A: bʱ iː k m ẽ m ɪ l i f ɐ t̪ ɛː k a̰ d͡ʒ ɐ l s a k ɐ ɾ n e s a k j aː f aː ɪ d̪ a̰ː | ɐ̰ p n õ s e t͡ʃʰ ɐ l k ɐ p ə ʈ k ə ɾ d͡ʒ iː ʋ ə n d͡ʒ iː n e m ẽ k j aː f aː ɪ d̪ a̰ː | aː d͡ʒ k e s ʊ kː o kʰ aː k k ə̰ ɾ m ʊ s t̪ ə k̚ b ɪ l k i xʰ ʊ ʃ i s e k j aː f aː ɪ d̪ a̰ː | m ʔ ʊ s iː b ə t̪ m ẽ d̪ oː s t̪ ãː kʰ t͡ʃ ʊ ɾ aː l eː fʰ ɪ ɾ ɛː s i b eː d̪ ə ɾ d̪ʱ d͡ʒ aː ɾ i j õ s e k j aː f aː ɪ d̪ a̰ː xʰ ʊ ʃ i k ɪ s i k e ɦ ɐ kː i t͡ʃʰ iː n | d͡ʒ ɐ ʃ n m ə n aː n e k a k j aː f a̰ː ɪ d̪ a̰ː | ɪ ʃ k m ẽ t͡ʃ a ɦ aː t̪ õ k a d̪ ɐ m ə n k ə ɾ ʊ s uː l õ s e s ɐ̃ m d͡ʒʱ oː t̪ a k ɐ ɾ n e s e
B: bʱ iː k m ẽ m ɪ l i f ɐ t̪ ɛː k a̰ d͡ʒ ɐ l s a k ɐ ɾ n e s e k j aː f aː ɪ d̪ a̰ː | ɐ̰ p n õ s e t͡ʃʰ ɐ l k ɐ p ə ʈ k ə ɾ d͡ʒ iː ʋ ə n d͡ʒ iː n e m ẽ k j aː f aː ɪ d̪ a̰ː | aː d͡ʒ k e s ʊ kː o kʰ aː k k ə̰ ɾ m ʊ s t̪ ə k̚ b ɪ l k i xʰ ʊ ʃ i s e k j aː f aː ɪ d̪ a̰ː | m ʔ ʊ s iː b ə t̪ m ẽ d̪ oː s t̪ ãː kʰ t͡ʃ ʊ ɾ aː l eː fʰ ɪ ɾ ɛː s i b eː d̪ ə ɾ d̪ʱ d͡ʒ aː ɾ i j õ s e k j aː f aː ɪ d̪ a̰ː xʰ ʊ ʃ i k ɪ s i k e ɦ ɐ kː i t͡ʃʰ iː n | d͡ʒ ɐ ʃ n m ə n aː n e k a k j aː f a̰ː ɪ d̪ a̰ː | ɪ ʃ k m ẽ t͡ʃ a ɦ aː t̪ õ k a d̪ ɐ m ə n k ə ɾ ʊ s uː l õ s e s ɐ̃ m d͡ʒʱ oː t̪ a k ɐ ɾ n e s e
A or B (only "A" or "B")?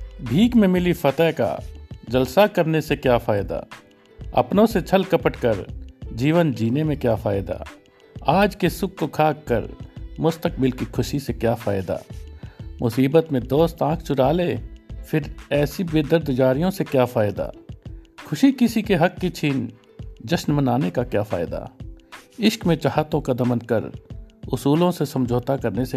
B